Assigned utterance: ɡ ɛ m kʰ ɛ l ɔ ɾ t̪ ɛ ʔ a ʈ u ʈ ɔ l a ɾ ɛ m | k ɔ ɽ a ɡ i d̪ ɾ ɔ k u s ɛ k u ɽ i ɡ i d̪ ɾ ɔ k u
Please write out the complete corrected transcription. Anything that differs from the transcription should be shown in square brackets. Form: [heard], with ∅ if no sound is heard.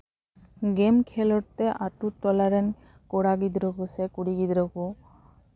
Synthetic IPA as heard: ɡ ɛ m kʰ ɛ l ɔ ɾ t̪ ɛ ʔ a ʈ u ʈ ɔ l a ɾ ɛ [n] | k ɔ ɽ a ɡ i d̪ ɾ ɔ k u s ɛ k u ɽ i ɡ i d̪ ɾ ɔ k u